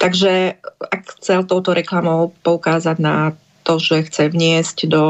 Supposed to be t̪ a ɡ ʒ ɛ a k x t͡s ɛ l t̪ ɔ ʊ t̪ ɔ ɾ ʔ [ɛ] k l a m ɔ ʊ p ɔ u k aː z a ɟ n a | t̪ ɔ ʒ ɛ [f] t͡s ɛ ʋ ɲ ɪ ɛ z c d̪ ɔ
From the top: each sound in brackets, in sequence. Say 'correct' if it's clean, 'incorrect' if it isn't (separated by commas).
correct, incorrect